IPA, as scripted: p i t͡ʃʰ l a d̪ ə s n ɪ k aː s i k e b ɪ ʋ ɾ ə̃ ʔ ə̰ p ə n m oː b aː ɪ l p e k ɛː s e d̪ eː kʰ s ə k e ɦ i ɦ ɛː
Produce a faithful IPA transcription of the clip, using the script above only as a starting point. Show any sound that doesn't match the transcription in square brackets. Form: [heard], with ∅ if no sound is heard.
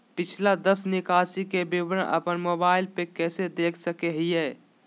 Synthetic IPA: p [ɪ] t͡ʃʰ l a d̪ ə s n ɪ k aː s i k e b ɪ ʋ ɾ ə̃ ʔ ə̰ p ə n m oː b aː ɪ l p e k ɛː s e d̪ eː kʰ s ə k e ɦ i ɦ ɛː